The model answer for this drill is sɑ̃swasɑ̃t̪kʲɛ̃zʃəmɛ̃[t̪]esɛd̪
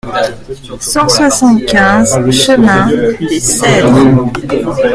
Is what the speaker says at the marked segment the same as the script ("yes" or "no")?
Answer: no